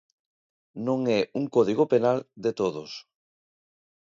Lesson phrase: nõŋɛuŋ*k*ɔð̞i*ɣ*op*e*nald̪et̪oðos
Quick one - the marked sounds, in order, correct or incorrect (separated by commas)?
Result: correct, correct, correct